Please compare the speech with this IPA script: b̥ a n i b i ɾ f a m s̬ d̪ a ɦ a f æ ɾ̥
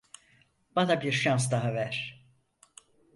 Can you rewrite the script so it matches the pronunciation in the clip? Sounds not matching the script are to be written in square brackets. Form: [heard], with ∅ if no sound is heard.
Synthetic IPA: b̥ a n [a] b i ɾ [ʃ] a [n] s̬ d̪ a ɦ a [v] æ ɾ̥

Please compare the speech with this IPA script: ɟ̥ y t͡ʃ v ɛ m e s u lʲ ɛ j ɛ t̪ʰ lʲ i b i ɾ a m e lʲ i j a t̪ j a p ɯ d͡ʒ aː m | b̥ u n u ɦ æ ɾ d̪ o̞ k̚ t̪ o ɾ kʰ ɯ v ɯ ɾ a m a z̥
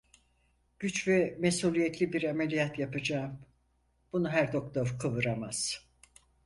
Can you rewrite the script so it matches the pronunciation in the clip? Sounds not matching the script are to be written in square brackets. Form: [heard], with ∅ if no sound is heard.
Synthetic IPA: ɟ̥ y t͡ʃ v ɛ m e s u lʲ [i] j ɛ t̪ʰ lʲ i b i ɾ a m e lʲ i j a t̪ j a p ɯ d͡ʒ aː m | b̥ u n u ɦ æ ɾ d̪ o̞ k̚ t̪ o ɾ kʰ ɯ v ɯ ɾ a m a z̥

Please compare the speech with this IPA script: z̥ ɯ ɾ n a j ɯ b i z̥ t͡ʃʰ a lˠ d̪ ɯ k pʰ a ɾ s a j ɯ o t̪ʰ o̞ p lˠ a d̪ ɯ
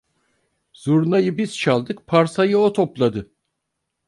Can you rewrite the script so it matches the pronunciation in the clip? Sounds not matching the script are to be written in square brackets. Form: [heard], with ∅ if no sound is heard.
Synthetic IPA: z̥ [u] ɾ n a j ɯ b i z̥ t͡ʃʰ a lˠ d̪ ɯ k pʰ a ɾ s a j ɯ o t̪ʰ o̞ p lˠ a d̪ ɯ

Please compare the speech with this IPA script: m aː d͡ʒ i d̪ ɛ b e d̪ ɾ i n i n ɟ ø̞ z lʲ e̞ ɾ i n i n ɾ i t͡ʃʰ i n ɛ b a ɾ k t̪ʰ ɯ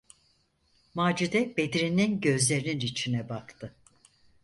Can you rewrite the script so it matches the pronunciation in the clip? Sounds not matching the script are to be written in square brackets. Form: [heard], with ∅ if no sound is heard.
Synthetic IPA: m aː d͡ʒ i d̪ ɛ b e d̪ ɾ i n i n ɟ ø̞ z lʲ e̞ ɾ i n i n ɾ i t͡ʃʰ i n ɛ b a [∅] k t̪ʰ ɯ

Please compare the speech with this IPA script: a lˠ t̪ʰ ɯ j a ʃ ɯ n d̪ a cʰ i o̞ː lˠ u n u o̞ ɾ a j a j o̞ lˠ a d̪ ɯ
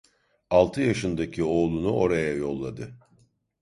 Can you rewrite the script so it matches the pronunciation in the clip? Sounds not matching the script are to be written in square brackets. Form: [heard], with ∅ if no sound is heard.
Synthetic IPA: a lˠ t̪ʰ ɯ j a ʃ ɯ n d̪ a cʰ i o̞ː lˠ u n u o̞ ɾ a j a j o̞ [lˠː] a d̪ ɯ

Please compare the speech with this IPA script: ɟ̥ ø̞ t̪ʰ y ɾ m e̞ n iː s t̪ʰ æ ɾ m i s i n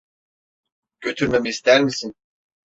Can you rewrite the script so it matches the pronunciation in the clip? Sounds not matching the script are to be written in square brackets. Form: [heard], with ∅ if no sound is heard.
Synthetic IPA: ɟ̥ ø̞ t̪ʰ y ɾ m e̞ [m] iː s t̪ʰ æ ɾ m i s i n

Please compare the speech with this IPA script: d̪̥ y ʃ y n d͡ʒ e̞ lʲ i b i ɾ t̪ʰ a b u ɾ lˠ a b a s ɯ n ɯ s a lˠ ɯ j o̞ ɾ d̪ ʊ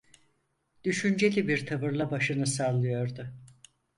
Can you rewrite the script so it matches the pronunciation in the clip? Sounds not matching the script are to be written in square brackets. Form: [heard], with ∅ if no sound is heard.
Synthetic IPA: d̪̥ y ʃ y n d͡ʒ e̞ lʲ i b i ɾ t̪ʰ a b [ɯ] ɾ lˠ a b a [ʃ] ɯ n ɯ s a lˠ ɯ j o̞ ɾ d̪ ʊ

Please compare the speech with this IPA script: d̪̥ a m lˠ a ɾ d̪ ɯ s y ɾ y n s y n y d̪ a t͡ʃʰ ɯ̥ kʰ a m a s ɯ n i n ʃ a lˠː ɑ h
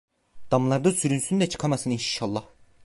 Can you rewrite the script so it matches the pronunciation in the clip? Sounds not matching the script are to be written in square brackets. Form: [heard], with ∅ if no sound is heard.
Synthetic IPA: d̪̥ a m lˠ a ɾ d̪ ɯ s y ɾ y n s y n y d̪ [ɛ] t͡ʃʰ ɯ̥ kʰ a m a s ɯ n i n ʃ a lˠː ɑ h

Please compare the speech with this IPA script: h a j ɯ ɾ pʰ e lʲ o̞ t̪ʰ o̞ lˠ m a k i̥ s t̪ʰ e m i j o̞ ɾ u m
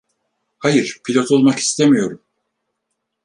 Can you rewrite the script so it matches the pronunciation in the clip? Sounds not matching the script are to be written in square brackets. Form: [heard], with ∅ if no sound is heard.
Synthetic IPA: h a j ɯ ɾ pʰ [i] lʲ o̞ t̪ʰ o̞ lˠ m a k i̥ s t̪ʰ e m i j o̞ ɾ u m

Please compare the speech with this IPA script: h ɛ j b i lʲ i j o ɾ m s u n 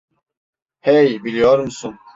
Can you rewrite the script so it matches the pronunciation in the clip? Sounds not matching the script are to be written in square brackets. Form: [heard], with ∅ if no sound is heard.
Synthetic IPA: h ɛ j b i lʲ i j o ɾ m s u n

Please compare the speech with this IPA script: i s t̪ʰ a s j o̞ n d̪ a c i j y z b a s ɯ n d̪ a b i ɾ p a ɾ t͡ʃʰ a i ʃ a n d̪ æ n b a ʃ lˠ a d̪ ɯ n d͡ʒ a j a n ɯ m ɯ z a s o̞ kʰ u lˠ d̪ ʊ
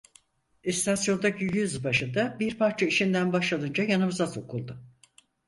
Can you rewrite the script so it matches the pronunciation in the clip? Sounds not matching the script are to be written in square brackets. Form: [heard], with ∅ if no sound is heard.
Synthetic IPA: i s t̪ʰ a s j o̞ n d̪ a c i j y z b a [ʃ] ɯ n d̪ a b i ɾ p a ɾ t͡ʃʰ a i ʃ [i] n d̪ æ n b a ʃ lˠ a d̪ ɯ n d͡ʒ a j a n ɯ m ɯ z a s o̞ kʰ u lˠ d̪ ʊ

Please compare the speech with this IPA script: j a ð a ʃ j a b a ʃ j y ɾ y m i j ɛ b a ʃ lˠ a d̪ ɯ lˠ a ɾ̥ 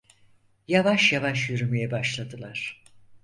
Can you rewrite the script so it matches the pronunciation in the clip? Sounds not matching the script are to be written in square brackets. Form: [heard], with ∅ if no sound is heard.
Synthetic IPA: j a [v] a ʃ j a [v] a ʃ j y ɾ y m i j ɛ b a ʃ lˠ a d̪ ɯ lˠ a ɾ̥

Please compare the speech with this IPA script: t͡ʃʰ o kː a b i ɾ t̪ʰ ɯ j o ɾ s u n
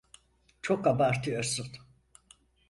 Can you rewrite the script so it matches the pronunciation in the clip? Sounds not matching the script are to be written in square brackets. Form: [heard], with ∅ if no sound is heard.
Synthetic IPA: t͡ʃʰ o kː a b [a] ɾ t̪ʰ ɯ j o ɾ s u n

